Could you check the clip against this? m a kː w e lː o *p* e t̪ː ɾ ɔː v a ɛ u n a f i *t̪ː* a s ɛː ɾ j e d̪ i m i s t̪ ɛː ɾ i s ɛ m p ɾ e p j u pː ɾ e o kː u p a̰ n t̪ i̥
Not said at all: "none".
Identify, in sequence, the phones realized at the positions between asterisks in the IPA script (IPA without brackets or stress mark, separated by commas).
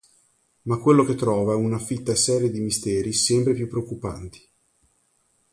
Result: k, t̪ː